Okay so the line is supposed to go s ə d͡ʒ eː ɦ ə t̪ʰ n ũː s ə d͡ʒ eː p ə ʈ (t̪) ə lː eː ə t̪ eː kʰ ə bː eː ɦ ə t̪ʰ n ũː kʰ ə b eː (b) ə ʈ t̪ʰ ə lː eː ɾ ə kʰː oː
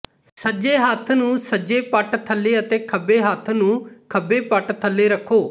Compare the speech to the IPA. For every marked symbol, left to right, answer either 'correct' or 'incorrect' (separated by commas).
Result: incorrect, incorrect